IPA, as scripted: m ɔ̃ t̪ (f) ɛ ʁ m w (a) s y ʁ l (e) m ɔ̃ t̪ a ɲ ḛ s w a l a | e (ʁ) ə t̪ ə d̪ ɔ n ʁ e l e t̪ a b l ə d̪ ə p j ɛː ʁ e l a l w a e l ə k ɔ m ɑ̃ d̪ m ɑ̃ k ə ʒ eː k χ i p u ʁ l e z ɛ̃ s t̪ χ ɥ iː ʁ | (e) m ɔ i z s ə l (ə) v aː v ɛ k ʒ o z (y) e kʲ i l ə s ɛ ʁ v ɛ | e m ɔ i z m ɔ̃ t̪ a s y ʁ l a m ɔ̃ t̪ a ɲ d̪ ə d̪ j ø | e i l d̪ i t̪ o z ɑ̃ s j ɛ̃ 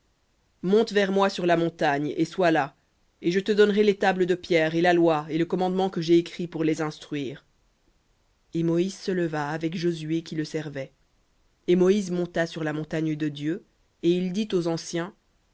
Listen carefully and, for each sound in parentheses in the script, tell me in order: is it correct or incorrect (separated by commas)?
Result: incorrect, correct, incorrect, incorrect, correct, correct, correct